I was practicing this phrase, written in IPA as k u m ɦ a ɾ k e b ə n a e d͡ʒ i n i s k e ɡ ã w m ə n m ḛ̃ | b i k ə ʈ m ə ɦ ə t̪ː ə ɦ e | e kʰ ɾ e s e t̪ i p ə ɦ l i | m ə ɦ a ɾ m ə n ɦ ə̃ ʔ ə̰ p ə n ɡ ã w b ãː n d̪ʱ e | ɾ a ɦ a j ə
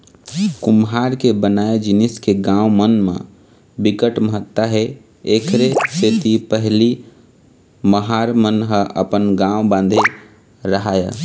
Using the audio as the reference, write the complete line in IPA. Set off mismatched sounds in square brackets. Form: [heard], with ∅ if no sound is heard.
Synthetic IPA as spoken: k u m ɦ a ɾ k e b ə n a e d͡ʒ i n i s k e ɡ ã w m ə n m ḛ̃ | b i k ə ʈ m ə ɦ ə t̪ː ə ɦ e | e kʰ ɾ e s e t̪ i p ə ɦ l i | m ə ɦ a ɾ m ə n ɦ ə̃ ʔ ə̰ p ə n ɡ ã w b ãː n d̪ʱ e | ɾ [ə] ɦ a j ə